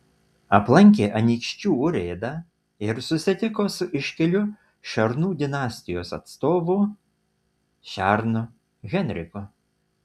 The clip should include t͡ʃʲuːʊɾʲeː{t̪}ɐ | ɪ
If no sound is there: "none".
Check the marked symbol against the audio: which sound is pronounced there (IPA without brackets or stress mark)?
d̪